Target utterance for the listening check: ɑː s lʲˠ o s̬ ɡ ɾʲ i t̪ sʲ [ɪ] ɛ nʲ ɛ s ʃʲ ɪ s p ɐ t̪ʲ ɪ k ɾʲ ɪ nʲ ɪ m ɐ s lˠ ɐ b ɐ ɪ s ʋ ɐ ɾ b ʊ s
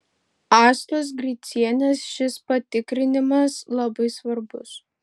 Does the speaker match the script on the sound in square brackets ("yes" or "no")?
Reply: no